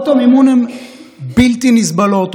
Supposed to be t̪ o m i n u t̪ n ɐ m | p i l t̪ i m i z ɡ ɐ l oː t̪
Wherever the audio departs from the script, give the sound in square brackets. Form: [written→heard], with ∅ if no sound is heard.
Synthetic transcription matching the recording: t̪ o m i [n→m] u [t̪→∅] n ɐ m | [p→b] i l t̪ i [m→n] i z [ɡ→b] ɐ l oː t̪

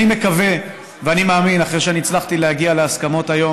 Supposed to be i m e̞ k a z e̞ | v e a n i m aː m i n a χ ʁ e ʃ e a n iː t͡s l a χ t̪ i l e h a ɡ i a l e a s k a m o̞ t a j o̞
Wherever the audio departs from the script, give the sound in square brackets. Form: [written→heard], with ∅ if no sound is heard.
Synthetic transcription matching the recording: i m e̞ k a [z→v] e̞ | v e a n i m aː m i n a χ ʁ e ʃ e a n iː t͡s l a χ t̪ i l e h a ɡ i a l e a s k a m o̞ t a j o̞

